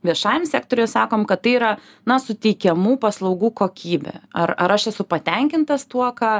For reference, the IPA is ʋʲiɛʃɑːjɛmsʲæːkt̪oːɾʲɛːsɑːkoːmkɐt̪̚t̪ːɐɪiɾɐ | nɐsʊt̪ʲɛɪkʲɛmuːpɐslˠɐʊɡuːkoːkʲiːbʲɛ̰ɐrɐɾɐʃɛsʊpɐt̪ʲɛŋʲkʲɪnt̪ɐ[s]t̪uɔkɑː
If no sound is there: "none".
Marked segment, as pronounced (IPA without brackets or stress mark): s